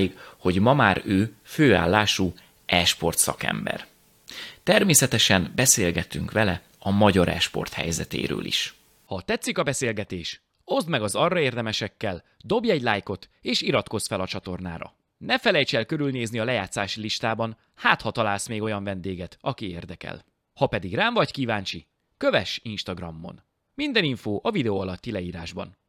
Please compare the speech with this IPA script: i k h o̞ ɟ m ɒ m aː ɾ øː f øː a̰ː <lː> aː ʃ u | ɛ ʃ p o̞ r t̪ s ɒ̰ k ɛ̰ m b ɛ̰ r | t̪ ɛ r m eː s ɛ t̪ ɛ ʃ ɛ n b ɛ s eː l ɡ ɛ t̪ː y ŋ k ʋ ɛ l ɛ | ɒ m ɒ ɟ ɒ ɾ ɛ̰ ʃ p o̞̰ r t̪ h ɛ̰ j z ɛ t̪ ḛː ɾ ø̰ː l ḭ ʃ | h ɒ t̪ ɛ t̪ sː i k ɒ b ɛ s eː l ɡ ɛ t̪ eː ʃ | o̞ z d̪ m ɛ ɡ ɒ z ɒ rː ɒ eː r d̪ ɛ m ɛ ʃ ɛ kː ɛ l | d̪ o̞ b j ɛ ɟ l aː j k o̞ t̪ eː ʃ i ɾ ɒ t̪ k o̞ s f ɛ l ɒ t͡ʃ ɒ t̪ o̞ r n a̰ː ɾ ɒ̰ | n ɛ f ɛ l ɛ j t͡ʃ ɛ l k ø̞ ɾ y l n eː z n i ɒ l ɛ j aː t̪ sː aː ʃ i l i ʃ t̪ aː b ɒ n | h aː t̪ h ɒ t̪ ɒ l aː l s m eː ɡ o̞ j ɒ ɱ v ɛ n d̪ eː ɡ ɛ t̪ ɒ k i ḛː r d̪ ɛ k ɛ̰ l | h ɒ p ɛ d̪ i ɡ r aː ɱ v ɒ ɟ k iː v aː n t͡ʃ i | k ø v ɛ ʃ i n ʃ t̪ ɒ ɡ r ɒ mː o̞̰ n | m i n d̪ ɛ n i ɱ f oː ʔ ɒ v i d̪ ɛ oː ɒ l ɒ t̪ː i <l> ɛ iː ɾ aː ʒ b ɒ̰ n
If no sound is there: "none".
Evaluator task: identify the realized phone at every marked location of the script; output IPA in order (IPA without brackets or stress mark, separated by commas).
lː, l